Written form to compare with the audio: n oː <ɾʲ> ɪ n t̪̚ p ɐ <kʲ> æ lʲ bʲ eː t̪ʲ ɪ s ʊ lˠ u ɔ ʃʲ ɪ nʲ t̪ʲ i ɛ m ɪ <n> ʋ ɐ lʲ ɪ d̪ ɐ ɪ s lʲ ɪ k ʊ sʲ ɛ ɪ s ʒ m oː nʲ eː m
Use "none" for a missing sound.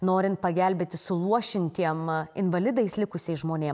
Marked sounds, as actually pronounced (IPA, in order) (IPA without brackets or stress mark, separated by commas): ɾʲ, ɡʲ, n